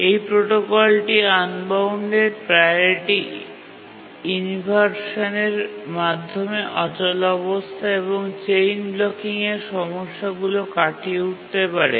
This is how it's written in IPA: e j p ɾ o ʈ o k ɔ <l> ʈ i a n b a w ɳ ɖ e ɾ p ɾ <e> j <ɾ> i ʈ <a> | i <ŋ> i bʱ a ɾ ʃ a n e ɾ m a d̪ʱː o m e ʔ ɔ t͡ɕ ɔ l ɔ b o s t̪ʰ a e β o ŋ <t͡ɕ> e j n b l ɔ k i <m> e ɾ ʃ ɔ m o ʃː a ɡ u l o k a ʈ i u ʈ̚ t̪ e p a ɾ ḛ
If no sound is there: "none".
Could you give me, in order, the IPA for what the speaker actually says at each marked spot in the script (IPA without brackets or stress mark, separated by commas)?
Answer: l, a, ɾ, i, n, t͡ɕ, ŋ